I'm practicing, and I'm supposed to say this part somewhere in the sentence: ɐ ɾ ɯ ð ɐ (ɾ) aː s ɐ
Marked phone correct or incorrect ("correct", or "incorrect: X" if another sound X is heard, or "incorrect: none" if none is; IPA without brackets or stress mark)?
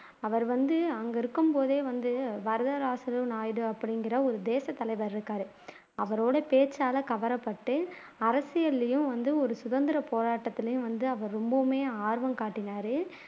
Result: correct